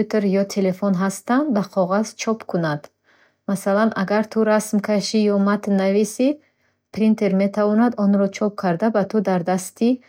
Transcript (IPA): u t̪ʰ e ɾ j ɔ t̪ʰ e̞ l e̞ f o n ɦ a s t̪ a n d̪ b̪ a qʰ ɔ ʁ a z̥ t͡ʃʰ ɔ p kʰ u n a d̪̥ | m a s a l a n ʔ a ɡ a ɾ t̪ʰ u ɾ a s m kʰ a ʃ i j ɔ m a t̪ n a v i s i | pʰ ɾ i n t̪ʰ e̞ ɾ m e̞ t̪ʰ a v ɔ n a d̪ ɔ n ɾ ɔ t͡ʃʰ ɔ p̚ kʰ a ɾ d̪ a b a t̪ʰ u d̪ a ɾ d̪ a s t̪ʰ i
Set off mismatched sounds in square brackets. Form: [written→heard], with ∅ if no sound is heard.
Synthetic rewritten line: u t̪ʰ e ɾ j ɔ t̪ʰ e̞ l e̞ f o n ɦ a s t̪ a n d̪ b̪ a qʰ ɔ ʁ a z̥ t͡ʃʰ ɔ p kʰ u n a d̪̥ | m a s a l a n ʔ a ɡ a ɾ t̪ʰ u ɾ a s m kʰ a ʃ i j ɔ m a t̪ n a v i s i | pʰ ɾ i n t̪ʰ e̞ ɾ m e̞ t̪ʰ a v ɔ n a d̪ ɔ n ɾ ɔ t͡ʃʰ ɔ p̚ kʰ a ɾ d̪ a b a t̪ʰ u d̪ a ɾ d̪ a s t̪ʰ i